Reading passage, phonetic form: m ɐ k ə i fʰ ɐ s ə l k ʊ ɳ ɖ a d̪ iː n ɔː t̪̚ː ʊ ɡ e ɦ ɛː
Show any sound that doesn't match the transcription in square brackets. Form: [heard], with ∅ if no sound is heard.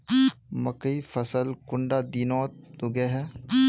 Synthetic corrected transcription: m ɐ k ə i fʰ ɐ s ə l k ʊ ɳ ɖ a d̪ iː n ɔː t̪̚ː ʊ ɡ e ɦ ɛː

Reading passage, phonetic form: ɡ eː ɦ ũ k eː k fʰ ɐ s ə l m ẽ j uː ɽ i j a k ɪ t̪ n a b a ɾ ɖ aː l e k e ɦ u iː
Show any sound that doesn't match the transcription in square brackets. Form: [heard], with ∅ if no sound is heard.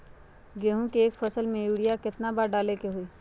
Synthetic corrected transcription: ɡ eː ɦ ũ k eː k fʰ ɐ s ə l m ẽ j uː ɽ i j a k ɪ t̪ n a b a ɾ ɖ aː l e k e ɦ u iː

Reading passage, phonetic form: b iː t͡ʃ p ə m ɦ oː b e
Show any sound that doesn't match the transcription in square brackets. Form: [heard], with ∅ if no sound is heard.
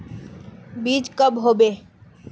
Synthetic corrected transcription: b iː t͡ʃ [k] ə [b] ɦ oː b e

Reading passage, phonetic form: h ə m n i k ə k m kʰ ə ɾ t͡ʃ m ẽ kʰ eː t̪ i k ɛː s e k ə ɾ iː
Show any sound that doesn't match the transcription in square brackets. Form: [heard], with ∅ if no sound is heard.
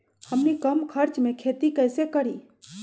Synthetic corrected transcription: h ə m n i k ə [∅] m kʰ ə ɾ t͡ʃ m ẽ kʰ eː t̪ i k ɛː s e k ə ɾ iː

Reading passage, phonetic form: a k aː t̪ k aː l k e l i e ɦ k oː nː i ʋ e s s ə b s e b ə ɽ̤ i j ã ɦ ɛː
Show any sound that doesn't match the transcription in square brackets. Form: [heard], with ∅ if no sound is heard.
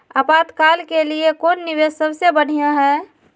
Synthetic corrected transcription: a [p] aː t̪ k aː l k e l i e [∅] k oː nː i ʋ e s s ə b s e b ə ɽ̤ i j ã ɦ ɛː

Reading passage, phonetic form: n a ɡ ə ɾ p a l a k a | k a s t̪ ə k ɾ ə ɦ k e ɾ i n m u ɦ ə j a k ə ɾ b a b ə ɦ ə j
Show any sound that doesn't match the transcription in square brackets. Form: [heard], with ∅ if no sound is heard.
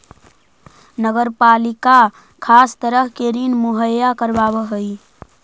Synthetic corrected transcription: n [ə] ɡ ə ɾ p a l [i] k a | [kʰ] a s t̪ ə [∅] ɾ ə ɦ k e ɾ i n m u ɦ ə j a k ə ɾ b a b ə ɦ ə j

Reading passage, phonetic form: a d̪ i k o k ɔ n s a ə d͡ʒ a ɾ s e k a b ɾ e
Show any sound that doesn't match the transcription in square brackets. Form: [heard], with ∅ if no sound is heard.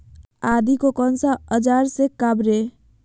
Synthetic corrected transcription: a d̪ i k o k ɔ n s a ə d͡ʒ a ɾ s e k a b ɾ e

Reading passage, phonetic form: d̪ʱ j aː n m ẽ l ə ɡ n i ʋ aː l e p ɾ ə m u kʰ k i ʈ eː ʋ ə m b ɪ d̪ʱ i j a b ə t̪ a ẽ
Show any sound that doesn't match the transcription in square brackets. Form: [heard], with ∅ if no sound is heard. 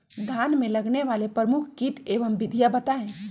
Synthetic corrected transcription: d̪ʱ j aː n m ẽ l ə ɡ n [e] ʋ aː l e p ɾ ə m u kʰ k i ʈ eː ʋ ə m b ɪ d̪ʱ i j a b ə t̪ a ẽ

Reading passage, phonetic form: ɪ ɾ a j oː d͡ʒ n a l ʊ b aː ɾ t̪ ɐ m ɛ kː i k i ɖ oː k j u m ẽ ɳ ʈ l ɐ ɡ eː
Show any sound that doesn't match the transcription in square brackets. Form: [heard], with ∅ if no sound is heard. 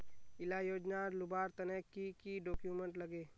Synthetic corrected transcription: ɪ [l] a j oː d͡ʒ n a l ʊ b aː ɾ t̪ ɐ [n] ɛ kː i k i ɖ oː k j u m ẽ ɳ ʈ l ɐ ɡ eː

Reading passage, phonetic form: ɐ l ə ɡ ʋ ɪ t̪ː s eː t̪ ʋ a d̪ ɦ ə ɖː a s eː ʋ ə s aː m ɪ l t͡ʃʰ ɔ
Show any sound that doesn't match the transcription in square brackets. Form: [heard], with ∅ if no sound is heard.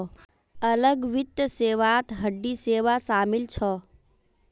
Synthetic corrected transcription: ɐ l ə ɡ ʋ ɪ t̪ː s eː [∅] ʋ a [t̪] ɦ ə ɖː [i] s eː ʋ [a] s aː m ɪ l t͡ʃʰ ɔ

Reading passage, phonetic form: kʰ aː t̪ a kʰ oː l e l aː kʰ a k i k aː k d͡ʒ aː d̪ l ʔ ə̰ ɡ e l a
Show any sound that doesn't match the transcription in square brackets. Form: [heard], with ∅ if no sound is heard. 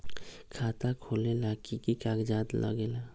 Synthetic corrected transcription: kʰ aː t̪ a kʰ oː l e l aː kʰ [i] k i k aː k d͡ʒ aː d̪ l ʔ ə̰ ɡ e l a

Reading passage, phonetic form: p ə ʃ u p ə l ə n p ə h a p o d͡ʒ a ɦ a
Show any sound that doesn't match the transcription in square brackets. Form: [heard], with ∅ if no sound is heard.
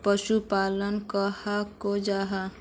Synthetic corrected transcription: p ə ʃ u p [a] l ə n [k] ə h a [k] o d͡ʒ a ɦ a

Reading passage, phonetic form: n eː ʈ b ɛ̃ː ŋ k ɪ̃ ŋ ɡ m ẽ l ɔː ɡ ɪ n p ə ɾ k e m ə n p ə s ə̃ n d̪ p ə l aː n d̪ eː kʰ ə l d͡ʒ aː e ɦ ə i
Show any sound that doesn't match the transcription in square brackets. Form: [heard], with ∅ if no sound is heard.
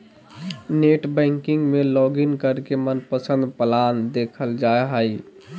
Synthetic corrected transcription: n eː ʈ b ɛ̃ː ŋ k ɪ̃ ŋ ɡ m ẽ l ɔː ɡ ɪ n [k] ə ɾ k e m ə n p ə s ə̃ n d̪ p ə l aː n d̪ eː kʰ ə l d͡ʒ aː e ɦ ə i

